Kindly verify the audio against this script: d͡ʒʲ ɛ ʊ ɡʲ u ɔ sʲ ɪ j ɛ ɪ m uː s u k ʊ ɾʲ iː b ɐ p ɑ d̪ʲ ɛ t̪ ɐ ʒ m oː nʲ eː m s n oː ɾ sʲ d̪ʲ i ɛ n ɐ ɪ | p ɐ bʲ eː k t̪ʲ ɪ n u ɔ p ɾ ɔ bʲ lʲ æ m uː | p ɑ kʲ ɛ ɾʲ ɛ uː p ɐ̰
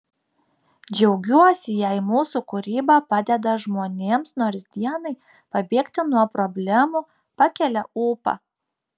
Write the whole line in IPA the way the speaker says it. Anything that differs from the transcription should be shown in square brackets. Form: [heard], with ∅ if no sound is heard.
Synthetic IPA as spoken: d͡ʒʲ ɛ ʊ ɡʲ u ɔ sʲ ɪ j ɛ ɪ m uː s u k ʊ ɾʲ iː b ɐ p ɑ d̪ʲ ɛ [d̪] ɐ ʒ m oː nʲ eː m s n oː ɾ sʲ d̪ʲ i ɛ n ɐ ɪ | p ɐ bʲ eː k t̪ʲ ɪ n u ɔ p ɾ ɔ bʲ lʲ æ m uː | p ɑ kʲ ɛ [lʲ] ɛ uː p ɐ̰